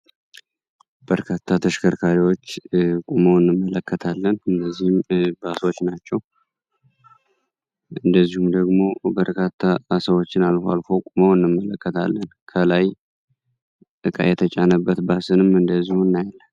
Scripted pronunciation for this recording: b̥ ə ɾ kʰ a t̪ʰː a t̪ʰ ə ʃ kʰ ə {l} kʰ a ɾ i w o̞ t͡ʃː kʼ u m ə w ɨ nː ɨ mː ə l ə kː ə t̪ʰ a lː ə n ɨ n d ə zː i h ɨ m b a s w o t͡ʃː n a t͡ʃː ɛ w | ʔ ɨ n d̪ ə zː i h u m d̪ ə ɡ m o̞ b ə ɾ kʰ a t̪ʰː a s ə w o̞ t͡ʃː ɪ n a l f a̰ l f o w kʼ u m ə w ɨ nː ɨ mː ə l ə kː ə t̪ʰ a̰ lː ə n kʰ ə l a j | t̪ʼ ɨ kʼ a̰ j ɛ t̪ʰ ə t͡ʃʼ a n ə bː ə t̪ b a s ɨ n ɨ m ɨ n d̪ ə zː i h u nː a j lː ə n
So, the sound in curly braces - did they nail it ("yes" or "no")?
no